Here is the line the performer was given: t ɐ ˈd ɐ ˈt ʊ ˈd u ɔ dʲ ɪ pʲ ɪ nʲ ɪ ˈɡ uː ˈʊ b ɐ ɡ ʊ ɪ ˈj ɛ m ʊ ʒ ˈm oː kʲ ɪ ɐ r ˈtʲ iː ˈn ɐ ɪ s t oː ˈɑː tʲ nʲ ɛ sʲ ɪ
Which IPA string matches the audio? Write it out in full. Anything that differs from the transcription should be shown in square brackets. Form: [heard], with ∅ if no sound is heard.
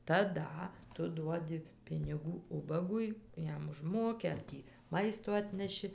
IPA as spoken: t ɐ ˈd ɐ ˈt ʊ ˈd u ɔ dʲ ɪ pʲ ɪ nʲ ɪ ˈɡ uː ˈʊ b ɐ ɡ ʊ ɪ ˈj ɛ m ʊ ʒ ˈm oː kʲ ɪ ɐ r ˈtʲ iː [ˈm] ɐ ɪ s t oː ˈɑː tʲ nʲ ɛ [ʃʲ] ɪ